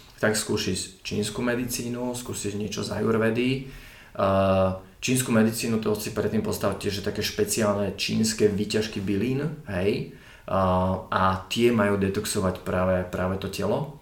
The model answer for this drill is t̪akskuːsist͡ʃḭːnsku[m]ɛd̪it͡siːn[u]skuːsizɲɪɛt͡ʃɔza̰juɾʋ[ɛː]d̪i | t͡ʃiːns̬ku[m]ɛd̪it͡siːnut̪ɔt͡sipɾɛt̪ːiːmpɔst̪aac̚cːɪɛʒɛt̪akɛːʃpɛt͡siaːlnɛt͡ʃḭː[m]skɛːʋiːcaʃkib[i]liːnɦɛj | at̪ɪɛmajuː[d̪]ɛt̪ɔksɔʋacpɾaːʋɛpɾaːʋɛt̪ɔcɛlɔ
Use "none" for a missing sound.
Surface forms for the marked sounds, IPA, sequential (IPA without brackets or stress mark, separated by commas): m, u, ɛ, m, n, i, d̪